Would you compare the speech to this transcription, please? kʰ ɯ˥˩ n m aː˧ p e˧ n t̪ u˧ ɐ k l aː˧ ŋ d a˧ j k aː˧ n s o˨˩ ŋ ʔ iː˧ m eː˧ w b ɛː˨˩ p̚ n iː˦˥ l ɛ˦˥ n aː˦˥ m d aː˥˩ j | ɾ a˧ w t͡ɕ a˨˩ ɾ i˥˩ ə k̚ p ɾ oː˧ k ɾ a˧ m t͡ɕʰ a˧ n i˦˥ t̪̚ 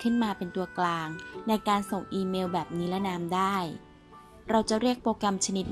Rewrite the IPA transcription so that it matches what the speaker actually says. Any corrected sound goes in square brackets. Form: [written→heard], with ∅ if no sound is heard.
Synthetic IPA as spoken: kʰ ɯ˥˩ n m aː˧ p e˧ n t̪ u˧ ɐ k l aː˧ ŋ [d→n] a˧ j k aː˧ n s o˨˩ ŋ ʔ iː˧ m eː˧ w b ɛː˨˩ p̚ n iː˦˥ l ɛ˦˥ n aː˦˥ m d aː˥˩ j | ɾ a˧ w t͡ɕ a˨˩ ɾ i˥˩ ə k̚ p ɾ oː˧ k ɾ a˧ m t͡ɕʰ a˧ n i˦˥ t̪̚